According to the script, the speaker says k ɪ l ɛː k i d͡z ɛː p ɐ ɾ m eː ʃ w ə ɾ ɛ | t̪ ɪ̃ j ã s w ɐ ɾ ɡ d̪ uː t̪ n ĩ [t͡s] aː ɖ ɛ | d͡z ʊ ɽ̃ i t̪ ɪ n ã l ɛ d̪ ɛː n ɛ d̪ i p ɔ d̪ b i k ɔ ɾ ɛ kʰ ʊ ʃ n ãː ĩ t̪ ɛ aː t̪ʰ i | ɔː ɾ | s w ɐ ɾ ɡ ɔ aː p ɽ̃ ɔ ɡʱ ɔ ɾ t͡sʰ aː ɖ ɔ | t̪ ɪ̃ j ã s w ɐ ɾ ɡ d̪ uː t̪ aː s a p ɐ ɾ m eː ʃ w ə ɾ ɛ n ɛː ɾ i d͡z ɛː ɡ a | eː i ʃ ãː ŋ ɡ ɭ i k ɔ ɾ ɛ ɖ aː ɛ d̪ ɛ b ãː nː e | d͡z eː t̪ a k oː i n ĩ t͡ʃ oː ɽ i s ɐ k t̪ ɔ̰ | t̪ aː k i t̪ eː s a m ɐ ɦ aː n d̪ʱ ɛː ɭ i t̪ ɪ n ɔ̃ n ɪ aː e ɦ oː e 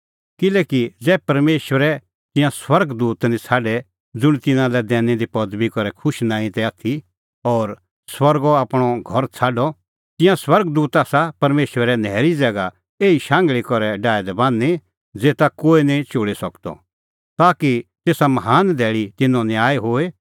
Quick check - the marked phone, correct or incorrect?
incorrect